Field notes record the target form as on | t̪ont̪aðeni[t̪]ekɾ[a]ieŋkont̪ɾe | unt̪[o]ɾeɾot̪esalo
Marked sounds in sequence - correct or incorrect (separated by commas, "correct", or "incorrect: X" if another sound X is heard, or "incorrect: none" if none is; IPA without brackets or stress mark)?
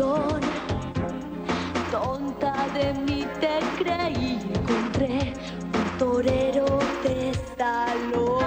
correct, incorrect: e, correct